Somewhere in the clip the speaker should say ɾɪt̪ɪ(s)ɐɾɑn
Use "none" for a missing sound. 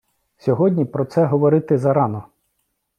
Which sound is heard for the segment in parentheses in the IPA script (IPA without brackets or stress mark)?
z